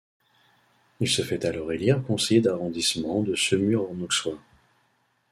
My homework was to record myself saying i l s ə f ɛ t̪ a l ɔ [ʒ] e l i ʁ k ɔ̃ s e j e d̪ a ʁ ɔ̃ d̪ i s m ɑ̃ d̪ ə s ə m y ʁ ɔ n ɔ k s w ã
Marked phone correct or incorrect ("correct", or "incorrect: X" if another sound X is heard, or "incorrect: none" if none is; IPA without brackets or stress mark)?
incorrect: ʁ